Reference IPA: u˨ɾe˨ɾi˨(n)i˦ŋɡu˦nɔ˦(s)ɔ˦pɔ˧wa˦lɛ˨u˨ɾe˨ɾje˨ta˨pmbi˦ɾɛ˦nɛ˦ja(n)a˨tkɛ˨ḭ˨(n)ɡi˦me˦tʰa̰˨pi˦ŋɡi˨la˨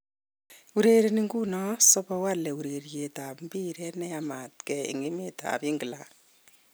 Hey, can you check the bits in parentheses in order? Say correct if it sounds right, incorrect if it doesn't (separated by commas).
correct, correct, incorrect, incorrect